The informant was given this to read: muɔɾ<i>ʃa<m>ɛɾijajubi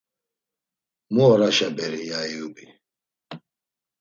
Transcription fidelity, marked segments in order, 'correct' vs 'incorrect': incorrect, incorrect

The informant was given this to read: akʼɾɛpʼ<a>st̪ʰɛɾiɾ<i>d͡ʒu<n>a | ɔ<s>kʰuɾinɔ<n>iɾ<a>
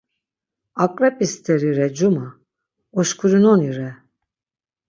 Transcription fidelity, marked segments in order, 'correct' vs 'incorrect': incorrect, incorrect, incorrect, incorrect, correct, incorrect

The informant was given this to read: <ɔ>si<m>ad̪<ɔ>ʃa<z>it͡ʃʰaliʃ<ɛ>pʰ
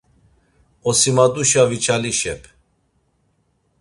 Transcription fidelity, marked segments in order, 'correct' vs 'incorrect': correct, correct, incorrect, incorrect, correct

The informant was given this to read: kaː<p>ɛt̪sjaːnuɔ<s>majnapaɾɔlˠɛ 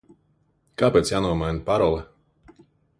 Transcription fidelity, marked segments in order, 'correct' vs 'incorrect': correct, incorrect

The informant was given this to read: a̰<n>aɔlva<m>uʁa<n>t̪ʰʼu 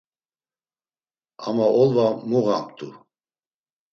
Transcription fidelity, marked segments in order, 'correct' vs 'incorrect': incorrect, correct, incorrect

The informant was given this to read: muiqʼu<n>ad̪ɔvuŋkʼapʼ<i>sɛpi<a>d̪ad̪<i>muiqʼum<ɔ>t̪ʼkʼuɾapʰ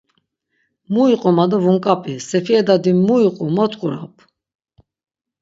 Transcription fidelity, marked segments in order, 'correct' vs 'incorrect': incorrect, correct, incorrect, correct, correct

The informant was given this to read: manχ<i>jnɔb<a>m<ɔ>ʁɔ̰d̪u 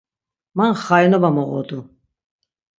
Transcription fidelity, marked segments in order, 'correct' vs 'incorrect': incorrect, correct, correct

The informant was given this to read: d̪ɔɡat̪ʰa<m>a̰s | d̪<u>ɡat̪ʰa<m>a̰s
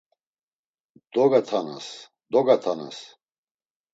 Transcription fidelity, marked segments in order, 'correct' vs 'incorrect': incorrect, incorrect, incorrect

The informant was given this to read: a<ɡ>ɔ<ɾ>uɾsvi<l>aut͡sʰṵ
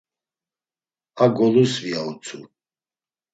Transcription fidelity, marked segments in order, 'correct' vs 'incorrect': correct, incorrect, incorrect

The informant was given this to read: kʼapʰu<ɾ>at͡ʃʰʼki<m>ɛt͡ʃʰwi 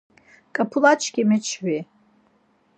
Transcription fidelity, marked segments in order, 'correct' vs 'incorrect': incorrect, correct

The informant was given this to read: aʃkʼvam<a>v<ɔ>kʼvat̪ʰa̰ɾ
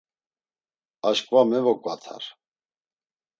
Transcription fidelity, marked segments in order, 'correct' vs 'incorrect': incorrect, correct

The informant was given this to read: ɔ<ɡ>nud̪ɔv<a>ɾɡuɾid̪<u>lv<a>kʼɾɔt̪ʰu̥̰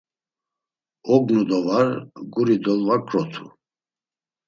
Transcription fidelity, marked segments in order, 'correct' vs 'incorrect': correct, correct, incorrect, correct

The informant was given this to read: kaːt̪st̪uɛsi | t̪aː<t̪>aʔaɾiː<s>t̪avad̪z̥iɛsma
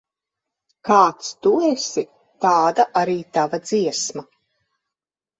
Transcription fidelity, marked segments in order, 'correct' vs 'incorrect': incorrect, incorrect

